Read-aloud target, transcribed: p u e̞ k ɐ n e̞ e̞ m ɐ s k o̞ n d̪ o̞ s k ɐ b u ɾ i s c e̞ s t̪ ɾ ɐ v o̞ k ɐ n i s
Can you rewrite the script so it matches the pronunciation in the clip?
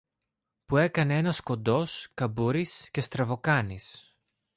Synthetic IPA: p u e̞ k ɐ n e̞ e̞ n ɐ s k o̞ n d̪ o̞ s k ɐ b u ɾ i s c e̞ s t̪ ɾ ɐ v o̞ k ɐ n i s